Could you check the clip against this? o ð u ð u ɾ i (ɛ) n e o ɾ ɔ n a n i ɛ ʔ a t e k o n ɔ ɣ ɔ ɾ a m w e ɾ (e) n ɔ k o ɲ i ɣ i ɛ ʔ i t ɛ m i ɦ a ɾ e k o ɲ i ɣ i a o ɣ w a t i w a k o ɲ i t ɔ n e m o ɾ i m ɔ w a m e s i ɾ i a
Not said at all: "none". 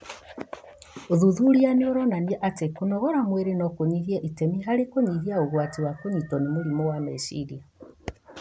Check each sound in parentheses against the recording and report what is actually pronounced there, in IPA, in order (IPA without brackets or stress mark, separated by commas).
a, e